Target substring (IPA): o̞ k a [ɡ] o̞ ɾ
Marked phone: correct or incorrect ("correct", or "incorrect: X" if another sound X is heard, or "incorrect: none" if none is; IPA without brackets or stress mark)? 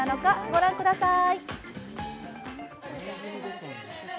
correct